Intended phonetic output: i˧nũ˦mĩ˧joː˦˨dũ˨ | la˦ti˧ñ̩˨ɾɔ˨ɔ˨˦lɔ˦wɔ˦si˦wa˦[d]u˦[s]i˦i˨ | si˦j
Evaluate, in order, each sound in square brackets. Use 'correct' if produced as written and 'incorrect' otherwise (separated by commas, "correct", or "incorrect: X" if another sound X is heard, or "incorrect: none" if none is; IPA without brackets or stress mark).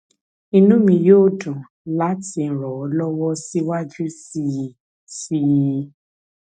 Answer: incorrect: d͡ʒ, correct